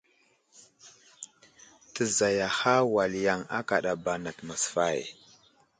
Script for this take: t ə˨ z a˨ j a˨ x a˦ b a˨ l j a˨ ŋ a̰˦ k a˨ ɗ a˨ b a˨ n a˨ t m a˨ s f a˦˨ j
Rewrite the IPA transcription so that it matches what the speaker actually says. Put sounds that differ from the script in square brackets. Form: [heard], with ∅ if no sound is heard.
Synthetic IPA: t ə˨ z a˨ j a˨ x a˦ [w] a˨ l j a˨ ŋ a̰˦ k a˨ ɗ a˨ b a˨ n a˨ t m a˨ s f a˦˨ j

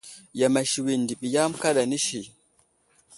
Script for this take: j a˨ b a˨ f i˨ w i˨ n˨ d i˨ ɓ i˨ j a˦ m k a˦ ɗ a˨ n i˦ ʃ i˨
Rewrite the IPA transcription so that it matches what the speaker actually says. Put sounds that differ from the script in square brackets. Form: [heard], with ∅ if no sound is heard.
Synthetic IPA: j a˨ [m] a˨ [ʃ] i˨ w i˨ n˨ d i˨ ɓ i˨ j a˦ m k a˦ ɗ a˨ n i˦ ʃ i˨

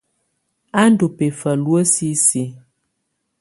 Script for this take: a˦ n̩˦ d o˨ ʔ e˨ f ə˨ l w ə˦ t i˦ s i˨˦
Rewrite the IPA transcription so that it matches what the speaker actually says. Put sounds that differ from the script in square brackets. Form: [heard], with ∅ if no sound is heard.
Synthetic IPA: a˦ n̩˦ d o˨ [p] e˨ f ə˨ l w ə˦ [s] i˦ s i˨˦

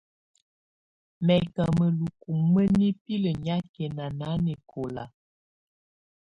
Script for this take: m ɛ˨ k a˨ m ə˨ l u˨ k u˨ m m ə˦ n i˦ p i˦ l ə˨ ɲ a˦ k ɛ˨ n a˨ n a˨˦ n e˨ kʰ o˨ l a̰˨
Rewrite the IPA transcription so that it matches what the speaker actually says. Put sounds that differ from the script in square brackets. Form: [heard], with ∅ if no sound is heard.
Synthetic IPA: m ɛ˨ k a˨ m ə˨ l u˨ k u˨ m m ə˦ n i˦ p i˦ l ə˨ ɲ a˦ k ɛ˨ n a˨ n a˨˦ n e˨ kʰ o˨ l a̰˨

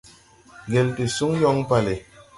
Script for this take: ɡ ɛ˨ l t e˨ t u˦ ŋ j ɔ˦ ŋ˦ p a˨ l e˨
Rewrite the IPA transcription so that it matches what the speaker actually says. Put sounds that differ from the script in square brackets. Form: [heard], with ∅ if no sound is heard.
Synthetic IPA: ɡ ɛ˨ l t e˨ [s] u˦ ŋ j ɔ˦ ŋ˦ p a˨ l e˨

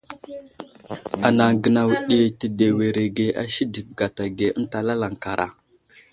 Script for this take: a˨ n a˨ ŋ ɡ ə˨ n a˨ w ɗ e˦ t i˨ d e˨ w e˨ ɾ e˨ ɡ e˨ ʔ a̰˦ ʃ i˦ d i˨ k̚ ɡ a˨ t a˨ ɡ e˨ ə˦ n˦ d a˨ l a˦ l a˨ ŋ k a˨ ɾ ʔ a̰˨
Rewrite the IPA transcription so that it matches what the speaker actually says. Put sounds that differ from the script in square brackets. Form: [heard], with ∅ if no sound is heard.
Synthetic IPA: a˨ n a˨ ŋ ɡ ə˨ n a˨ w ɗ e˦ t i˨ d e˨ w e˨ ɾ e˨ ɡ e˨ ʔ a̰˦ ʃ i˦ d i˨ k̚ ɡ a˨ t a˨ ɡ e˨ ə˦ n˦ [t] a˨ l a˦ l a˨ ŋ k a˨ ɾ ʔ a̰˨

